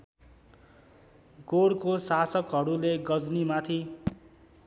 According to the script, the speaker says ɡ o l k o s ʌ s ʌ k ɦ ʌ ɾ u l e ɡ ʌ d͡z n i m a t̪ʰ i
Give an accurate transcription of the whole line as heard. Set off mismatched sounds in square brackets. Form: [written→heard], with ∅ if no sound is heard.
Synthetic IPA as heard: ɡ o [l→ɽ] k o s [ʌ→a] s ʌ k ɦ ʌ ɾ u l e ɡ ʌ d͡z n i m a t̪ʰ i